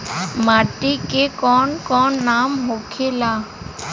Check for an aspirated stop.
present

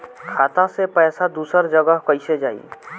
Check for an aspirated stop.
present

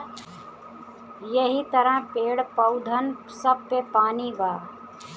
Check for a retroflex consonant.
present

